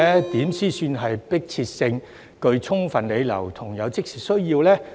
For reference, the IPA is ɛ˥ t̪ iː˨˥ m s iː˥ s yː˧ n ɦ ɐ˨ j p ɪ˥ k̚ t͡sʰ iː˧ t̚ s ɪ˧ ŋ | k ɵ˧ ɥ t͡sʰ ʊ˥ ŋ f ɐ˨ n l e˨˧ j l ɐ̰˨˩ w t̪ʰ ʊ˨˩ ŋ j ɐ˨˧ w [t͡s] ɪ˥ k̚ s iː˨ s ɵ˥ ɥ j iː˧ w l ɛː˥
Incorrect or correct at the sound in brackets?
correct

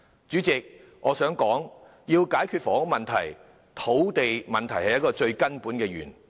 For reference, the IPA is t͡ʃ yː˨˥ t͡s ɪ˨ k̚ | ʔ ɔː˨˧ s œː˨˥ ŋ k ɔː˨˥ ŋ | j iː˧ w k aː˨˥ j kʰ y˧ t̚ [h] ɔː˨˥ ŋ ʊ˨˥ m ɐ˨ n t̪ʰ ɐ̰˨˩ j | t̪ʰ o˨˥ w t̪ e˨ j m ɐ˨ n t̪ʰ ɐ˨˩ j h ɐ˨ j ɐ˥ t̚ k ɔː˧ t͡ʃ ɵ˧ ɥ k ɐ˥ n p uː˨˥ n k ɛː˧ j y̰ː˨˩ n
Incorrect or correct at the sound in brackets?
incorrect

